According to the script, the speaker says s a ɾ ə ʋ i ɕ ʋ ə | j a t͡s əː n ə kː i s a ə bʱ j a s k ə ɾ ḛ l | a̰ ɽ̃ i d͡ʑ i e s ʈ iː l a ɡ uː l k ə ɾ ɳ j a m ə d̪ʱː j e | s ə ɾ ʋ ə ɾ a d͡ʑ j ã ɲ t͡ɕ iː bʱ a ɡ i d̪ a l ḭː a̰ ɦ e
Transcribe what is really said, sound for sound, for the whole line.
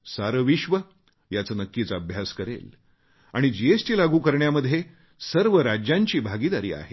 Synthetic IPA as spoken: s a ɾ ə ʋ i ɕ ʋ ə | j a t͡s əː n ə kː i t͡s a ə bʱ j a s k ə ɾ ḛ l | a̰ ɽ̃ i d͡ʑ i e s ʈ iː l a ɡ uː k ə ɾ ɳ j a m ə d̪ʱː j e | s ə ɾ ʋ ə ɾ a d͡ʑ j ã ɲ t͡ɕ iː bʱ a ɡ i d̪ a ɾ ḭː a̰ ɦ e